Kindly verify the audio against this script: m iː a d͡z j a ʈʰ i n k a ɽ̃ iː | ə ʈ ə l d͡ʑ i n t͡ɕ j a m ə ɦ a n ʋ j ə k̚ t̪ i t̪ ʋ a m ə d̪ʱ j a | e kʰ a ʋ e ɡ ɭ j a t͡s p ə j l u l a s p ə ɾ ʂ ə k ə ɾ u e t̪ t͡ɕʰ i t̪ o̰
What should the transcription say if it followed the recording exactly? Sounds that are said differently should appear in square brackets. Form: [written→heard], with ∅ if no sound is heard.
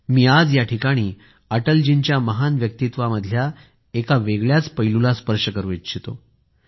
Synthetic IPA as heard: m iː a d͡z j a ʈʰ i [n→∅] k a ɽ̃ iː | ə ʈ ə l d͡ʑ i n t͡ɕ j a m ə ɦ a n ʋ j ə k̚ t̪ i t̪ ʋ a m ə d̪ʱ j a | e [kʰ→k] a ʋ e ɡ ɭ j a t͡s p ə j l u l a s p ə ɾ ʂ ə k ə ɾ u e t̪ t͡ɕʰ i t̪ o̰

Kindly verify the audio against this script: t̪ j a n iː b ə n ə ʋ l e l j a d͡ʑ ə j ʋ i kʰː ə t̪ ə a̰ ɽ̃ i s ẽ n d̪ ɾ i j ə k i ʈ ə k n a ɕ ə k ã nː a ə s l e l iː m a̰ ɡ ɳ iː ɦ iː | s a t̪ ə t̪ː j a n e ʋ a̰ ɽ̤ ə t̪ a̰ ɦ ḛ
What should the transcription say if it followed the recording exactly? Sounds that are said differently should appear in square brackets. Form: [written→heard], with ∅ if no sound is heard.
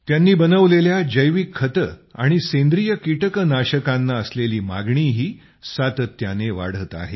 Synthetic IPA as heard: t̪ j a [n→nː] iː b ə n ə ʋ l e l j a d͡ʑ ə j ʋ i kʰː ə t̪ ə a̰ ɽ̃ i s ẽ n d̪ ɾ i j ə k i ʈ ə k n a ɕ ə k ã nː a ə s l e l iː m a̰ ɡ ɳ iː ɦ iː | s a t̪ ə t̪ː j a n e ʋ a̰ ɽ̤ ə t̪ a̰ ɦ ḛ

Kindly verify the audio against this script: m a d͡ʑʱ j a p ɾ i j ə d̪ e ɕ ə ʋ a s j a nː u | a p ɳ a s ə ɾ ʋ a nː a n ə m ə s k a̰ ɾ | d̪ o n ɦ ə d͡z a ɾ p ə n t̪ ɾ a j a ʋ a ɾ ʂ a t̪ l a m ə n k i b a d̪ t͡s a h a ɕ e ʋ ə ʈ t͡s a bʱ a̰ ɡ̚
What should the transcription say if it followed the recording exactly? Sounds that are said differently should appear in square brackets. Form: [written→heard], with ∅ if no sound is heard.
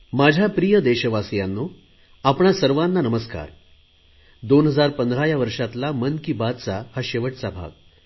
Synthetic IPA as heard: m a d͡ʑʱ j a p ɾ i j ə d̪ e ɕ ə ʋ a s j a nː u | a p ɳ a s ə ɾ ʋ a nː a n ə m ə s k a̰ ɾ | d̪ o n ɦ ə d͡z a ɾ p ə n [t̪→d̪] ɾ a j a ʋ [a→ə] ɾ ʂ a t̪ l a m ə n k i b a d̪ t͡s a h a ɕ e ʋ ə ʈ t͡s a bʱ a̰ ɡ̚

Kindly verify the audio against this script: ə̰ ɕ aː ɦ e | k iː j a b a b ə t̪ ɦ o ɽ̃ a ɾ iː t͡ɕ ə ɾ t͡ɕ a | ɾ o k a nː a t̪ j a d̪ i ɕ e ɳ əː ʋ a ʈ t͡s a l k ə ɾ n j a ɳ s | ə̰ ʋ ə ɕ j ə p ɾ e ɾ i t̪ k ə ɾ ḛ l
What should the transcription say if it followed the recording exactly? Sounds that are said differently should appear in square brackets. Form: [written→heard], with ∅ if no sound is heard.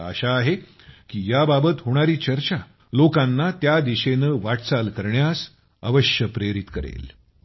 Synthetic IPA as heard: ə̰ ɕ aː ɦ e | k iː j a b a b ə t̪ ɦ o ɽ̃ a ɾ iː t͡ɕ ə ɾ t͡ɕ a | [ɾ→l] o k a nː a t̪ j a d̪ i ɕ e [ɳ→n] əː ʋ a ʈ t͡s a l k ə ɾ [n→ɳ] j a [ɳ→∅] s | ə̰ ʋ ə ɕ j ə p ɾ e ɾ i t̪ k ə ɾ ḛ l

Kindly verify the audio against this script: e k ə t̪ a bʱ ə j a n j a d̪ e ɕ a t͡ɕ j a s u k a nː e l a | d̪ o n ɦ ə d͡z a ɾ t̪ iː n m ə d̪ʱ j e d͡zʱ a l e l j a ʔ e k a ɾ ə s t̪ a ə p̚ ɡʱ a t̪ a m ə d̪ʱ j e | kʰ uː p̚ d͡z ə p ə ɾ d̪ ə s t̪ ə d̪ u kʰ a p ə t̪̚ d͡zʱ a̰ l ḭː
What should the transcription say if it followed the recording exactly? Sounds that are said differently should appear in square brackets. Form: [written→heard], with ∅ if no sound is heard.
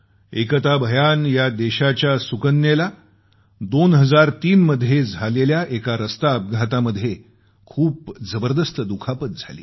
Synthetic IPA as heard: e k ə t̪ a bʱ ə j a n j a d̪ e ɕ a t͡ɕ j a s u k [a→ə] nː e l a | d̪ o n ɦ ə d͡z a ɾ t̪ iː n m ə d̪ʱ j e d͡zʱ a l e l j a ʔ e k a ɾ ə s t̪ a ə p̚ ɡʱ a t̪ a m ə d̪ʱ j e | kʰ uː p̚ d͡z ə [p→b] ə ɾ d̪ ə s t̪ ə d̪ u kʰ a p ə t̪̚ d͡zʱ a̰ l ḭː

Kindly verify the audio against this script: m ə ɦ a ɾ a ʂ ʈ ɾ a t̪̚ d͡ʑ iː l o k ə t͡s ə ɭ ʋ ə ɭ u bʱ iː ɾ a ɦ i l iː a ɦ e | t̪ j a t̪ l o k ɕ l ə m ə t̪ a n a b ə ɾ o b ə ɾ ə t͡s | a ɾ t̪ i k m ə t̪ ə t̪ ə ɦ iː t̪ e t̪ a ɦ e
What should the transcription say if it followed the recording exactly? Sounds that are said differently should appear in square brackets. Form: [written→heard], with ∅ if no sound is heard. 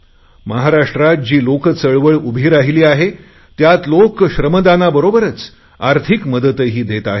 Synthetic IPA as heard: m ə ɦ a ɾ a ʂ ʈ ɾ a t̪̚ d͡ʑ iː l o k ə t͡s ə ɭ ʋ ə ɭ u bʱ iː ɾ a ɦ i l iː a ɦ e | t̪ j a t̪ l o k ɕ [l→ɾ] ə m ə [t̪→d̪] a n a b ə ɾ o b ə ɾ ə t͡s | a ɾ [t̪→t̪ʰ] i k m ə [t̪→d̪] ə t̪ ə ɦ iː [t̪→d̪] e t̪ a ɦ e

